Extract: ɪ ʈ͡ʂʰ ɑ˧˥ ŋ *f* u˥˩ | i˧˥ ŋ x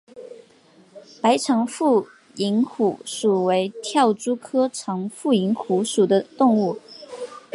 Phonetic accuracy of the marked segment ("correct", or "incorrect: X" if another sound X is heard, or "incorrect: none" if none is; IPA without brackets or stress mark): correct